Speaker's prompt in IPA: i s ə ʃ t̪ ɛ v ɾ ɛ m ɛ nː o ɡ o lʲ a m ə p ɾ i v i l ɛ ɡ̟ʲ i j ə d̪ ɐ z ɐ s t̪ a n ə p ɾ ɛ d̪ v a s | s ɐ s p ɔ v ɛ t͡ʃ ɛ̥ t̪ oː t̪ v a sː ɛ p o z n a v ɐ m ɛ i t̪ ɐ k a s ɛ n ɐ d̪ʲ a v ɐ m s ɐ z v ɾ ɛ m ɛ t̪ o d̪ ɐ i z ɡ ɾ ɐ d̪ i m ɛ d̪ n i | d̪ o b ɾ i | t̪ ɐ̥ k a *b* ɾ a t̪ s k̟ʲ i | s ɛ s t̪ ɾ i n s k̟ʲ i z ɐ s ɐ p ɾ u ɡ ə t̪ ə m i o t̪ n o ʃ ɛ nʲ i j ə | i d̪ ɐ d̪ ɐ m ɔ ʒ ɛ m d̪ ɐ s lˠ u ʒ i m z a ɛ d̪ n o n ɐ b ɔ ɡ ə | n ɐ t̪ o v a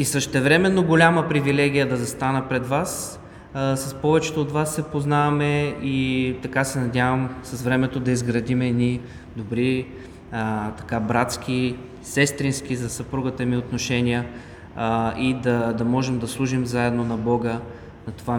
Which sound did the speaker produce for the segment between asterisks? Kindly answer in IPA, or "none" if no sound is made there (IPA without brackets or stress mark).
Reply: b